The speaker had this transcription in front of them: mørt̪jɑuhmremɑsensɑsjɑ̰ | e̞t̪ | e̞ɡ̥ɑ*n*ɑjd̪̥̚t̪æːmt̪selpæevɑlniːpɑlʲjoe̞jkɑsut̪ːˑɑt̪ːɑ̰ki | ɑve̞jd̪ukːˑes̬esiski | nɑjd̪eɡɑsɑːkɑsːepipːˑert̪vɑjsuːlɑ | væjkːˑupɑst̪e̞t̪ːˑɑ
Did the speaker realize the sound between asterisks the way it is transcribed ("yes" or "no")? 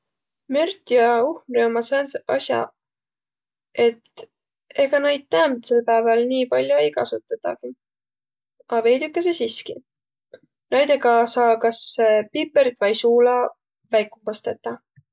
yes